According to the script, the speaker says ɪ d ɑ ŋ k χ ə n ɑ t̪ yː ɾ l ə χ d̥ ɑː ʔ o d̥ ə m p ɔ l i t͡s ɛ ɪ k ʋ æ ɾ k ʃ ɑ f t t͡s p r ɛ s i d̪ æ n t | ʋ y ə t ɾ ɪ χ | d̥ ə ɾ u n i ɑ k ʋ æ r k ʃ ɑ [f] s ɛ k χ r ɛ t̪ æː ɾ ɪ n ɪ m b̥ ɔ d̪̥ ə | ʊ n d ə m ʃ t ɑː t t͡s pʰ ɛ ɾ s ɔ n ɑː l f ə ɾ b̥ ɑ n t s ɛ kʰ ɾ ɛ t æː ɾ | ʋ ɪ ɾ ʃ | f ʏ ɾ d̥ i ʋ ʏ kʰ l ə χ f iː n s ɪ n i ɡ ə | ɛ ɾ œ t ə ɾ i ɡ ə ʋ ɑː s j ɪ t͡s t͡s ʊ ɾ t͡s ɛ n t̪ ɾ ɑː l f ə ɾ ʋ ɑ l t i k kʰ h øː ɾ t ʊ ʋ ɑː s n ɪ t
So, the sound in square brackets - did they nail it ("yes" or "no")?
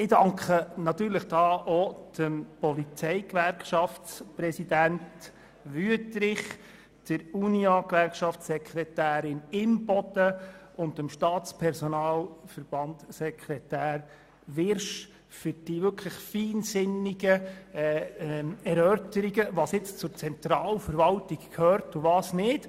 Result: yes